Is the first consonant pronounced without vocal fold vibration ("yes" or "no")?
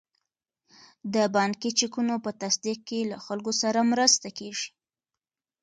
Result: no